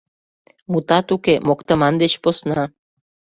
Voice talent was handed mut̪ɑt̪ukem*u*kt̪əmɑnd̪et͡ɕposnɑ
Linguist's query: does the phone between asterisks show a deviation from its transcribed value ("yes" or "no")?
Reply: yes